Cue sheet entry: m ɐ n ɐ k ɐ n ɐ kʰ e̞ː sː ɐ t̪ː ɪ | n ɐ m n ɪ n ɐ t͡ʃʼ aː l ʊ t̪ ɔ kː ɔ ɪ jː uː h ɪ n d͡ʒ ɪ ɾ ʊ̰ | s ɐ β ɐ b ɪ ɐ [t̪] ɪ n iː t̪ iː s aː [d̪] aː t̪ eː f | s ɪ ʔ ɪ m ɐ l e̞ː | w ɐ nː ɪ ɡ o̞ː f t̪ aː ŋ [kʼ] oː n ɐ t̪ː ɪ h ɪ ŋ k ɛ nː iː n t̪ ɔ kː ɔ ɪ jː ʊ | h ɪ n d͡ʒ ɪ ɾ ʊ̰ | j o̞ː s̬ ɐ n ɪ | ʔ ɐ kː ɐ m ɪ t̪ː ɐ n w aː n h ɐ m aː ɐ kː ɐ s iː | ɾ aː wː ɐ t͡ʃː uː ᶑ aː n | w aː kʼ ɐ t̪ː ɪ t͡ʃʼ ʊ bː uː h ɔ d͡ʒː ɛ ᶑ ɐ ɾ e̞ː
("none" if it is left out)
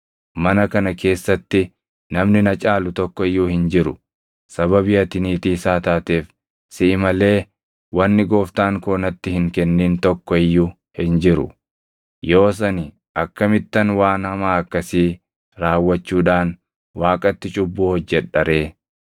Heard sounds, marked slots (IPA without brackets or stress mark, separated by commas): t̪, t̪, k